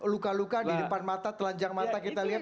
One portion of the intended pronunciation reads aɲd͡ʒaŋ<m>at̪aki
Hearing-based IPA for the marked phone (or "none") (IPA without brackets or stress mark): m